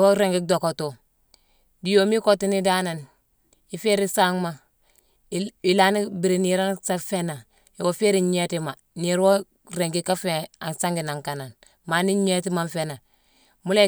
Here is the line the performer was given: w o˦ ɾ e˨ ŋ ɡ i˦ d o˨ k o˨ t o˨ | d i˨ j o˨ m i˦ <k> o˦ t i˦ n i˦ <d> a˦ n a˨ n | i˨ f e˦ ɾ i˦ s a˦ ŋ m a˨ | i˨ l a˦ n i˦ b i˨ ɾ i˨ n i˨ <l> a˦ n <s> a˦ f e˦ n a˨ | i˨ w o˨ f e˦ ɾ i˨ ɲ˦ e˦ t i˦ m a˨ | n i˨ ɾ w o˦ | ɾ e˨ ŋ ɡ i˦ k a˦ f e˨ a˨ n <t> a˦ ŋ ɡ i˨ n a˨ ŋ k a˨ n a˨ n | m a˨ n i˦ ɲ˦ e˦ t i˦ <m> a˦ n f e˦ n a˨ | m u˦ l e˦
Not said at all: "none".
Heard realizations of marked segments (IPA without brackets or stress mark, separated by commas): k, d, ɾ, s, s, m